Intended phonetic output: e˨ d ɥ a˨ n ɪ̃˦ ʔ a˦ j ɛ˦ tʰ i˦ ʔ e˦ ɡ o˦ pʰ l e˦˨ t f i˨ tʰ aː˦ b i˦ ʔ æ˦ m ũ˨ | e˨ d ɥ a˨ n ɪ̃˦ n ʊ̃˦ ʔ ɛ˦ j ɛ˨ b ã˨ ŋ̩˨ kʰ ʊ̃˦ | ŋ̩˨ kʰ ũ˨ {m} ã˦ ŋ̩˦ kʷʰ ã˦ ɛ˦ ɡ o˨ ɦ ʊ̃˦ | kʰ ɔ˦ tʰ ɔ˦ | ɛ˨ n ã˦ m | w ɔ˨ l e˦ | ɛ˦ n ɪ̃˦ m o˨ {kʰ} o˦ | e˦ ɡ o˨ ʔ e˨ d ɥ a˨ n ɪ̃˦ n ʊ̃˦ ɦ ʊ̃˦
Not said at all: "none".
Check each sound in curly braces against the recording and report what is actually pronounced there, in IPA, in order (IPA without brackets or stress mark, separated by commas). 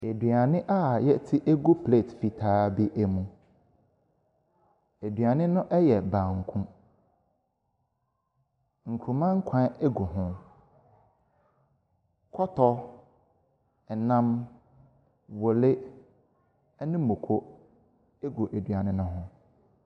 m, kʰ